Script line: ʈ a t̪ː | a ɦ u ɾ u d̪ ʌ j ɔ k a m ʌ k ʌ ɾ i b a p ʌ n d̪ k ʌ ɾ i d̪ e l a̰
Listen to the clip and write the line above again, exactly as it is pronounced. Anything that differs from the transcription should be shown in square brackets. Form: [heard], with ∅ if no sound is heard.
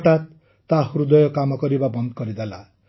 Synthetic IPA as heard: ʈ a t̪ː | a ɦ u ɾ u d̪ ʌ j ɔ k a m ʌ k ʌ ɾ i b a [b] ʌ n d̪ k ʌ ɾ i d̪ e l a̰